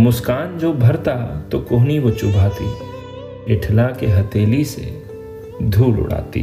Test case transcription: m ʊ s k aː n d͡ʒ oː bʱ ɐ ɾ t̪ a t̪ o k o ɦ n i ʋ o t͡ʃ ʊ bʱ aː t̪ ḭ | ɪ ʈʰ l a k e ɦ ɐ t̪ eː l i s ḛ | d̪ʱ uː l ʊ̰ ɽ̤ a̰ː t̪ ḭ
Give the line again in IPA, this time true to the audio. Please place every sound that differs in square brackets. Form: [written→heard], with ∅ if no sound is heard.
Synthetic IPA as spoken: m ʊ s k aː n d͡ʒ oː bʱ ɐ ɾ t̪ a t̪ o k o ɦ n i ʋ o t͡ʃ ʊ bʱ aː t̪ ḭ | ɪ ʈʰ l a k e ɦ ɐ t̪ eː l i s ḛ | d̪ʱ uː l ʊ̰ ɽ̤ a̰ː t̪ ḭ